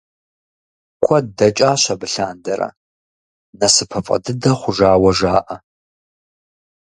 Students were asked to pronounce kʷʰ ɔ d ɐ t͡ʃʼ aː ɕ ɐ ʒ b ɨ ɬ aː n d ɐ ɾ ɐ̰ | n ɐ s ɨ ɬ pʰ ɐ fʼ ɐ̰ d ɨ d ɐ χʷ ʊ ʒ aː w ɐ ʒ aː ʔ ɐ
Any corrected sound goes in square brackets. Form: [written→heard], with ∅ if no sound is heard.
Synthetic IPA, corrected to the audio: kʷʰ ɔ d ɐ t͡ʃʼ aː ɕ ɐ [ʒ→∅] b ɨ ɬ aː n d ɐ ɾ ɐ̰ | n ɐ s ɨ [ɬ→∅] pʰ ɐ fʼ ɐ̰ d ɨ d ɐ χʷ ʊ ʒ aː w ɐ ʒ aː ʔ ɐ